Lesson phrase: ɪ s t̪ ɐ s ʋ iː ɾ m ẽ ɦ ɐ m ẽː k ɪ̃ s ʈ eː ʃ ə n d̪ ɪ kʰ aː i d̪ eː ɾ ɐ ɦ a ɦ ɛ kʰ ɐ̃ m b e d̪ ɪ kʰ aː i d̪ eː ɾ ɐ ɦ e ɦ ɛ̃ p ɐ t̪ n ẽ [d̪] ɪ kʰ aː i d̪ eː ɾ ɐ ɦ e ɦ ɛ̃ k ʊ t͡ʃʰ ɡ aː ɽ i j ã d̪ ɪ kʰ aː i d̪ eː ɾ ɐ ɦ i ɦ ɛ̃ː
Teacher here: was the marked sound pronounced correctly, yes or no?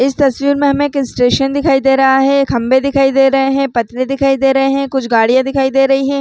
yes